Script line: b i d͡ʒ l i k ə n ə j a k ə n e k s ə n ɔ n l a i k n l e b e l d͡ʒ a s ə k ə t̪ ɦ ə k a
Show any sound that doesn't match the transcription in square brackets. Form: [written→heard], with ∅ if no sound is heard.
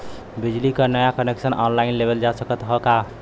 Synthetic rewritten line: b i d͡ʒ l i k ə n ə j a k ə n e k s ə n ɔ n l a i [k→∅] n l e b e l d͡ʒ a s ə k ə t̪ ɦ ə k a